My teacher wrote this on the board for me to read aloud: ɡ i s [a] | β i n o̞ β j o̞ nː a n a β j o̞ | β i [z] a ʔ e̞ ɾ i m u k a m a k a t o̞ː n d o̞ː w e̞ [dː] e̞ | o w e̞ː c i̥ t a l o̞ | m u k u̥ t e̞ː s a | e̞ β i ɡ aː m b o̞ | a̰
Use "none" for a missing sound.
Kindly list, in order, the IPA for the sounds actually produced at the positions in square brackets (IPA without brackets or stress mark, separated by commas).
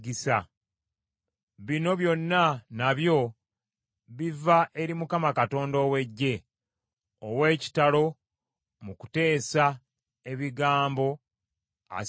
a, v, ɟː